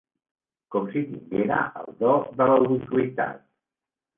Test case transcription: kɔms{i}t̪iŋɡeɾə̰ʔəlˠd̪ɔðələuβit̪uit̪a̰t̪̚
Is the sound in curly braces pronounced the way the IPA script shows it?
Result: yes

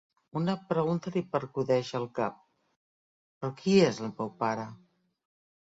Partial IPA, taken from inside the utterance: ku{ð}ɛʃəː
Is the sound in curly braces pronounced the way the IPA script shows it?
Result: yes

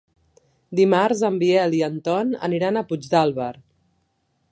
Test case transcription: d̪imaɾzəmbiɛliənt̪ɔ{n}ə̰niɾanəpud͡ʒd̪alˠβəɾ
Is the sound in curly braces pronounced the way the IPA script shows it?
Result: yes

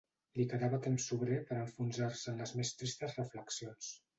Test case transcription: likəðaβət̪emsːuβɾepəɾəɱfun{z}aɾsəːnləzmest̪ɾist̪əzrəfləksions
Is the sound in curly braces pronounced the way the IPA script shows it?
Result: yes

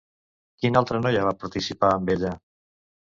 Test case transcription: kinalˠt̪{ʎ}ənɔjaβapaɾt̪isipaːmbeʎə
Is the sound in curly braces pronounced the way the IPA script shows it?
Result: no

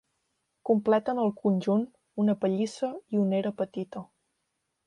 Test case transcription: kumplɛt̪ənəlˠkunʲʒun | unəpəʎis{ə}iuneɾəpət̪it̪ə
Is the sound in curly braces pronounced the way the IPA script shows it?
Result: yes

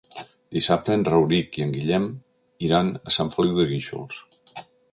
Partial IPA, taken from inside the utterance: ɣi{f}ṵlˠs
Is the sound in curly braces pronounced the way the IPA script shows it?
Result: no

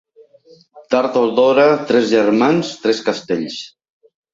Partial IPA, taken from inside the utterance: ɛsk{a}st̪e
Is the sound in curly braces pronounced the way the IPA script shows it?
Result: yes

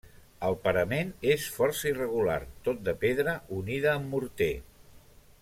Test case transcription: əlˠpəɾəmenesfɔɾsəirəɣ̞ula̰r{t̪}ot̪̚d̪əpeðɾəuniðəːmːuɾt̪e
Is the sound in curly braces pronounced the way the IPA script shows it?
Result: yes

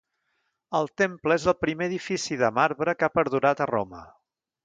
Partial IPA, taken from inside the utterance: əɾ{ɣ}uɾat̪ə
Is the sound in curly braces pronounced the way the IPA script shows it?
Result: no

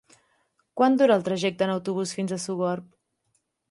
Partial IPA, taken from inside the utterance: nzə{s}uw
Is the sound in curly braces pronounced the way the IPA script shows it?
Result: yes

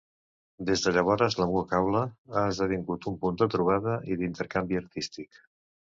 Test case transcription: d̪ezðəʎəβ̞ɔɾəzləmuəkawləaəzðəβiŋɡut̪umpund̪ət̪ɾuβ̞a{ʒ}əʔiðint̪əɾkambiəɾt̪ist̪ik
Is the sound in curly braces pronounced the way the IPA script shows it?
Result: no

